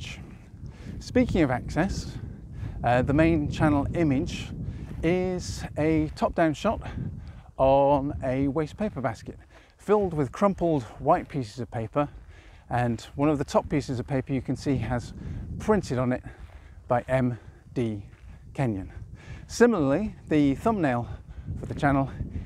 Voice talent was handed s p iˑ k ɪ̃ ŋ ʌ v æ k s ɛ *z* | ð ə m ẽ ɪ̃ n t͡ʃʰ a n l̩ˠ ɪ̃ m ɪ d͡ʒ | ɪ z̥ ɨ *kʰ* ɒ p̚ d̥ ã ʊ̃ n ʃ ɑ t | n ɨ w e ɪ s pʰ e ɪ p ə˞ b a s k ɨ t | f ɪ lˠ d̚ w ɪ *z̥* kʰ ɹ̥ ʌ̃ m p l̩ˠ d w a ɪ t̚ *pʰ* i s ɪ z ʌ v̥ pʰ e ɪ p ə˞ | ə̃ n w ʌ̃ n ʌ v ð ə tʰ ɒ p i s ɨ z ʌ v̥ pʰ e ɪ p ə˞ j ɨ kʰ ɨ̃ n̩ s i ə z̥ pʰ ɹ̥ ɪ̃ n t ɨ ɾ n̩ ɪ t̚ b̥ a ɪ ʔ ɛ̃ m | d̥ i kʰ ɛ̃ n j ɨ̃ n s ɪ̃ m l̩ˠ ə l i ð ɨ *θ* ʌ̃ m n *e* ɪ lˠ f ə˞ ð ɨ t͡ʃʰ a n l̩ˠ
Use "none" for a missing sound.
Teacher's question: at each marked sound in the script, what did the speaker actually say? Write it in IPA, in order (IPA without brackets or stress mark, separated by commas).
s, tʰ, ð̥, pʰ, θ, e